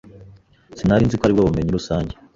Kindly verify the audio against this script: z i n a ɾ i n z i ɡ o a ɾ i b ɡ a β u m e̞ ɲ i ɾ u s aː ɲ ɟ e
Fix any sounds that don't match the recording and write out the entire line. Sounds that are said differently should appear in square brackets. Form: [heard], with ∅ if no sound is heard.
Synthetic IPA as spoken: [s] i n a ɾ i n z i [k] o a ɾ i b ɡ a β u m e̞ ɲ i ɾ u s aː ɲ ɟ e